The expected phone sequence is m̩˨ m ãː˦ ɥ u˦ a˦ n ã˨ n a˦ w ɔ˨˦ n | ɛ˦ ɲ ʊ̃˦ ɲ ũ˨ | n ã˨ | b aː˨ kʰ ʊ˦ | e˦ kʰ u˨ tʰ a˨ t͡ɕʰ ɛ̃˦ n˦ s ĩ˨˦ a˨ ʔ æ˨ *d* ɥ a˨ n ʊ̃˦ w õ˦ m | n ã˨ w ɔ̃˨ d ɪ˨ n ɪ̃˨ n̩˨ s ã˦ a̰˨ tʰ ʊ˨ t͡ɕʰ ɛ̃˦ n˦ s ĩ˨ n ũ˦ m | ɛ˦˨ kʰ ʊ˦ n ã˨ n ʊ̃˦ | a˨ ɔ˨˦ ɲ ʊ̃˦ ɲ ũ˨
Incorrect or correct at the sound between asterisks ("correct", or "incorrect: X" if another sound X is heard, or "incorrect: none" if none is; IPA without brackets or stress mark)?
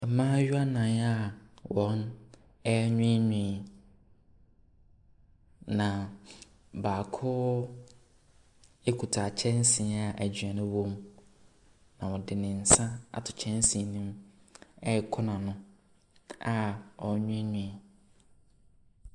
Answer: incorrect: d͡ʑ